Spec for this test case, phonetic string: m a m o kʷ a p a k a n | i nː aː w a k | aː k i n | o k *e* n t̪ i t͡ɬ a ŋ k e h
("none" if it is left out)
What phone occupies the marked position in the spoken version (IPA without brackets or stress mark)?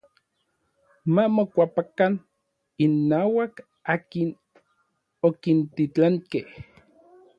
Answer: i